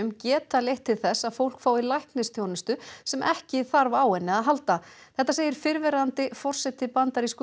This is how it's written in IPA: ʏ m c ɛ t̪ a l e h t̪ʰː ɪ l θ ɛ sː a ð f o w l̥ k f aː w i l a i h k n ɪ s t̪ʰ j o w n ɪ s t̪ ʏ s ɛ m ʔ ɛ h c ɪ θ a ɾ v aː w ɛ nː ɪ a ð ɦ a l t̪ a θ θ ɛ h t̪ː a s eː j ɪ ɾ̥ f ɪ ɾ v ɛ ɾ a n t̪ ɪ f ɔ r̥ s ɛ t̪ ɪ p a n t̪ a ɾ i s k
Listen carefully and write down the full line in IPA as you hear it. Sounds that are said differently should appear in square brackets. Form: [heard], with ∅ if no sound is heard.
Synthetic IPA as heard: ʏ m c [ɛː] t̪ a l e h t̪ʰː ɪ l θ ɛ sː a ð f o w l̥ k f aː w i l a [j] h k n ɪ s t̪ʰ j o w n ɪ s t̪ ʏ s ɛ m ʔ ɛ h c ɪ θ a ɾ v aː w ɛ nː ɪ a ð ɦ a l t̪ a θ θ ɛ h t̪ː a s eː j ɪ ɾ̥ f ɪ ɾ v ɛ ɾ a n t̪ ɪ f ɔ r̥ s ɛ t̪ ɪ p a n t̪ a ɾ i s k